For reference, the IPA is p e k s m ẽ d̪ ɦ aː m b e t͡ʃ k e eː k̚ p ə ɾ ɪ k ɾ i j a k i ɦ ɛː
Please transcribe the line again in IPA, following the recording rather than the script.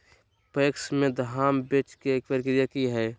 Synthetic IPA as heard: p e k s m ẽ d̪ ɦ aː m b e t͡ʃ k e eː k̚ p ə ɾ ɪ k ɾ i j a k i ɦ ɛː